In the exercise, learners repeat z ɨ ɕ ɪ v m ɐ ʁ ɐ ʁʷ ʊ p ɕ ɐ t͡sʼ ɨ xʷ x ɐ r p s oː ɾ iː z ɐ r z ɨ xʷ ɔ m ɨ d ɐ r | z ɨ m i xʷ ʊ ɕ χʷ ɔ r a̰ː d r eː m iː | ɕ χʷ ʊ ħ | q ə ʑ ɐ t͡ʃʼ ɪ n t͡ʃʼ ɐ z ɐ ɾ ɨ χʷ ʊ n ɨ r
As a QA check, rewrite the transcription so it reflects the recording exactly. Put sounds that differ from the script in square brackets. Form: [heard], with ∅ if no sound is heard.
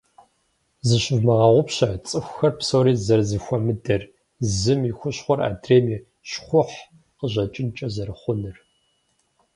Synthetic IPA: z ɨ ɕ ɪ v m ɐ ʁ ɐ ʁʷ ʊ p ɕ ɐ t͡sʼ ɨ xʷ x ɐ r p s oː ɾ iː z ɐ r z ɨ xʷ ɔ m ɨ d ɐ r | z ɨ m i xʷ ʊ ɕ χʷ ɔ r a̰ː d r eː m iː | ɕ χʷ ʊ ħ | q ə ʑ ɐ t͡ʃʼ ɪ n t͡ʃʼ ɐ z ɐ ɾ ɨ χʷ ʊ n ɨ r

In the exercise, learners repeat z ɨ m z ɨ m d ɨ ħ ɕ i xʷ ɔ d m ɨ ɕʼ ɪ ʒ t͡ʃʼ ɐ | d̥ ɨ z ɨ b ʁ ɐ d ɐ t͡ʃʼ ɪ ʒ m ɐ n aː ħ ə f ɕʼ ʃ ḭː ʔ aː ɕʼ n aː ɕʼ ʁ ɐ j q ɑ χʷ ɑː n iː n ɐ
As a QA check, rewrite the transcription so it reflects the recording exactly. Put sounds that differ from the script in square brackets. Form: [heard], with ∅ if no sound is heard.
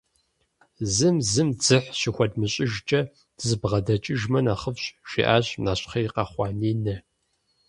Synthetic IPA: z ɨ m z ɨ m [d͡z] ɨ ħ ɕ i xʷ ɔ d m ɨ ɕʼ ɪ ʒ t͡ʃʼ ɐ | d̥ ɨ z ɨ b ʁ ɐ d ɐ t͡ʃʼ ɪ ʒ m ɐ n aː [χ] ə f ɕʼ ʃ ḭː ʔ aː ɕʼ n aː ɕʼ [χ] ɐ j q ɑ χʷ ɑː n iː n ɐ

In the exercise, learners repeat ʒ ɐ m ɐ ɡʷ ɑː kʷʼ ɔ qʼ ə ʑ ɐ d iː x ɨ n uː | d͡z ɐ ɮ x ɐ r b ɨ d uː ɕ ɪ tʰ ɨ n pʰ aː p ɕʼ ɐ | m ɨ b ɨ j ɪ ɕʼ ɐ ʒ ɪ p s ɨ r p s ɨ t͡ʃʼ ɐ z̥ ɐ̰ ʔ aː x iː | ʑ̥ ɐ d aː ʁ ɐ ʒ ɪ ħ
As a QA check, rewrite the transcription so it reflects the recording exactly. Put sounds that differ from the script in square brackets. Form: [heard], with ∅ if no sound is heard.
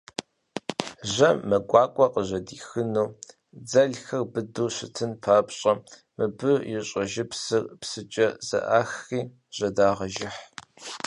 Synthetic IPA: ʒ ɐ m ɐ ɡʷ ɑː kʷʼ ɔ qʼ ə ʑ ɐ d iː x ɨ n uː | d͡z ɐ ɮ x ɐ r b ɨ d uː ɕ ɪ tʰ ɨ n pʰ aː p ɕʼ ɐ | m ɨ b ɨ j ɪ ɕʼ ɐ ʒ ɪ p s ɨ r p s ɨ t͡ʃʼ ɐ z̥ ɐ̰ ʔ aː x iː | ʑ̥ ɐ d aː ʁ ɐ ʒ ɪ ħ

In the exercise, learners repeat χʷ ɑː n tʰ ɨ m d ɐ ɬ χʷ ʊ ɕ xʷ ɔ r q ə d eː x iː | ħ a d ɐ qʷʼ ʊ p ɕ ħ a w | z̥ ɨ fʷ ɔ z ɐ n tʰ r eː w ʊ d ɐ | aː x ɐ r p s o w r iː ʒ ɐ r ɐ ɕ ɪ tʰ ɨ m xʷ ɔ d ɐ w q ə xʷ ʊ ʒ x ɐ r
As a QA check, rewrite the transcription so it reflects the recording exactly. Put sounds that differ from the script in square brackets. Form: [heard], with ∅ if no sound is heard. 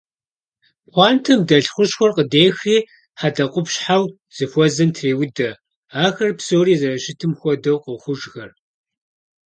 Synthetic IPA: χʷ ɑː n tʰ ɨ m d ɐ ɬ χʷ ʊ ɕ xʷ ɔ r q ə d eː x iː | ħ a d ɐ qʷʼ ʊ p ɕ ħ a w | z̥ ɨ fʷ ɔ z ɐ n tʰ r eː w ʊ d ɐ | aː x ɐ r p s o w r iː [z] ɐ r ɐ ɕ ɪ tʰ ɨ m xʷ ɔ d ɐ w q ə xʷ ʊ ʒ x ɐ r

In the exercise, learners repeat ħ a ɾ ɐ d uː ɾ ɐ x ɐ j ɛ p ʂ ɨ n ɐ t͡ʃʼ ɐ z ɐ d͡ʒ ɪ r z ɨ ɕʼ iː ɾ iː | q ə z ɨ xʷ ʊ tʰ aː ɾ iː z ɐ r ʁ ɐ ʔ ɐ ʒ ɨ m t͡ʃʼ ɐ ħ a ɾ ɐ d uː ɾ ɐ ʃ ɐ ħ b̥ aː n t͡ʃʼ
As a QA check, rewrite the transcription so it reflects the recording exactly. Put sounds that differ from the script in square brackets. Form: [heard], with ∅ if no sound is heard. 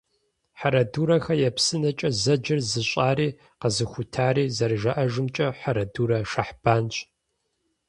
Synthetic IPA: ħ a ɾ ɐ d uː ɾ ɐ x ɐ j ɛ p [s] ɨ n ɐ t͡ʃʼ ɐ z ɐ d͡ʒ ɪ r z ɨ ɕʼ [aː] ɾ iː | q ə z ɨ xʷ ʊ tʰ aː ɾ iː z ɐ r [ʒ] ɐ ʔ ɐ ʒ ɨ m t͡ʃʼ ɐ ħ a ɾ ɐ d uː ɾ ɐ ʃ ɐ ħ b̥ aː n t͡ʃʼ

